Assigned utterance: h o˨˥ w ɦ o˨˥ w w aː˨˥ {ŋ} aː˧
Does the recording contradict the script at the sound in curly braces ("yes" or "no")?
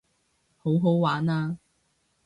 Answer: yes